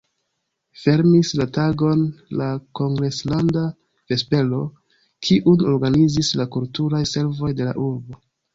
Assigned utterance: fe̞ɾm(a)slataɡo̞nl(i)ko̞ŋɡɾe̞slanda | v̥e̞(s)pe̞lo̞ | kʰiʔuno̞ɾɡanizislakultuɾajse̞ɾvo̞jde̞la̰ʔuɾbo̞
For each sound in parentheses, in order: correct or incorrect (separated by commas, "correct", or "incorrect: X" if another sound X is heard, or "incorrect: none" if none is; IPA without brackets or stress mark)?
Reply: incorrect: i, incorrect: a, correct